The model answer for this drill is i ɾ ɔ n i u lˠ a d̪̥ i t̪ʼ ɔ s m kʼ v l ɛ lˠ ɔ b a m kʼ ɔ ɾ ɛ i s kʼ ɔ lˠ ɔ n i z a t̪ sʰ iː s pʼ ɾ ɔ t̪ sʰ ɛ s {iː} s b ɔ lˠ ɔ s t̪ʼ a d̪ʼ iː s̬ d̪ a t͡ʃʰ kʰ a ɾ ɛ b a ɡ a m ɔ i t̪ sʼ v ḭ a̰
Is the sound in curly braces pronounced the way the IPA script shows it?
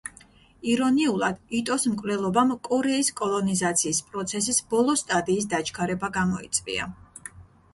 no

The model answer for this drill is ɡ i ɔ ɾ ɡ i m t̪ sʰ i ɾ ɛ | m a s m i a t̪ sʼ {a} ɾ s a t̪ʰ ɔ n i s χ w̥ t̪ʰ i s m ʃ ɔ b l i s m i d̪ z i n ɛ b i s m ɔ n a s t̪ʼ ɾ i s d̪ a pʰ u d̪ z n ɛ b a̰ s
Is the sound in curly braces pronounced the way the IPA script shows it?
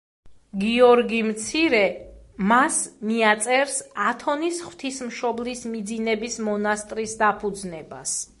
no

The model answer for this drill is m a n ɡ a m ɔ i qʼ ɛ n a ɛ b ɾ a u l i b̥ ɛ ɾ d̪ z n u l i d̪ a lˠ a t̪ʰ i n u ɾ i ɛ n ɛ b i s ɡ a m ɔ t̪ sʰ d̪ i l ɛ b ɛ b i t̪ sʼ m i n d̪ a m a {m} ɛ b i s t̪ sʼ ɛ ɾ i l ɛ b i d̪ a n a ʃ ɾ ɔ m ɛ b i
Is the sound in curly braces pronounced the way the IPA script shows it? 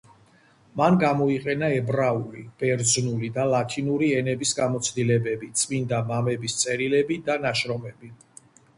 yes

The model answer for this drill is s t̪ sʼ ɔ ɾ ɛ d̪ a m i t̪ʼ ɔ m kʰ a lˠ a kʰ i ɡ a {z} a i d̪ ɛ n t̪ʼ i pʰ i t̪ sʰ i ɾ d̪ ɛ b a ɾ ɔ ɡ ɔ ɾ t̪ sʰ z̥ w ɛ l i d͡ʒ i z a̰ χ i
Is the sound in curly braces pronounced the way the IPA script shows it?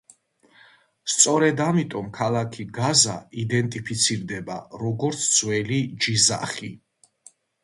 yes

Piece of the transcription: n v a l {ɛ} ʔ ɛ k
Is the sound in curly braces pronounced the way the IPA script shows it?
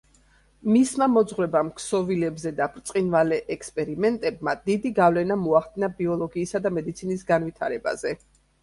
yes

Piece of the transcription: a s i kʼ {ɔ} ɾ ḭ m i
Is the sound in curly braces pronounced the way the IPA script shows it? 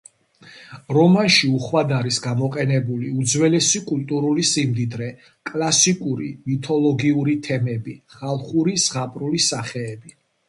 no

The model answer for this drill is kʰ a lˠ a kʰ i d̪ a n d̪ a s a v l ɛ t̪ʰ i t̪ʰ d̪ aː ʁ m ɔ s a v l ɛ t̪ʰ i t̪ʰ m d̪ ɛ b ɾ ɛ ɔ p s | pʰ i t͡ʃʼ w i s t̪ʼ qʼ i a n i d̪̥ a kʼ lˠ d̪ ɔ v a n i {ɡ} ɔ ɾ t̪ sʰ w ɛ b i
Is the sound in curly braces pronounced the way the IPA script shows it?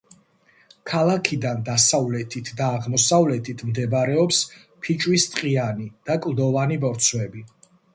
no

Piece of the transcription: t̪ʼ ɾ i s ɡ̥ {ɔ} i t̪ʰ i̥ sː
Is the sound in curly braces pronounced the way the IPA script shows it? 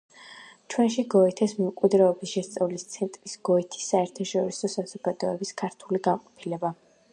yes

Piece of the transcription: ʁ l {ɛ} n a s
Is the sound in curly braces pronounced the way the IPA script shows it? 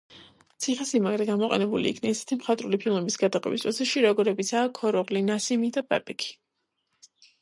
no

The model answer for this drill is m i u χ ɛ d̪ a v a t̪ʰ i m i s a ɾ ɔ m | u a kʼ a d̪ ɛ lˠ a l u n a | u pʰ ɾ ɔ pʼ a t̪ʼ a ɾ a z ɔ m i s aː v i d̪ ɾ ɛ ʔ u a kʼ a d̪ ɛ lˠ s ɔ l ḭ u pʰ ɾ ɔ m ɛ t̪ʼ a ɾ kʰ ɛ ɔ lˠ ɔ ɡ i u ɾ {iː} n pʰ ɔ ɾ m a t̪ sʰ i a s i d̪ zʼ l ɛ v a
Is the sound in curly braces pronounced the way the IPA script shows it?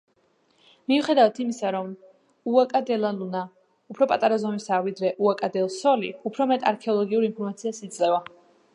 no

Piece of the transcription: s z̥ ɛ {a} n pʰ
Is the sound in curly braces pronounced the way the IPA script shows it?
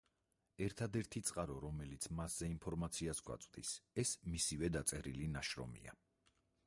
no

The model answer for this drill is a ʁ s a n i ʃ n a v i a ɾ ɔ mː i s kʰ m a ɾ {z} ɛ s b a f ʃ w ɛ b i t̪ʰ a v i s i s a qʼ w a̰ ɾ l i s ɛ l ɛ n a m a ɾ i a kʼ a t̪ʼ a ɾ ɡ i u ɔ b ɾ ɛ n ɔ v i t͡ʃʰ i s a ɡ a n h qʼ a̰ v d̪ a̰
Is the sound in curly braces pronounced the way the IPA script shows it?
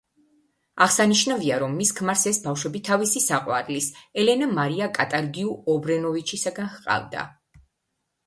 no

